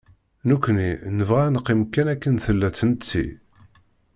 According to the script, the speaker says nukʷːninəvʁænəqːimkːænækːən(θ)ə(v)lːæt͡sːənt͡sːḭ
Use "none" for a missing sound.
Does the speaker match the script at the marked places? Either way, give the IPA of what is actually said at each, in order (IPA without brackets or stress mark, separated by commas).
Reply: θ, none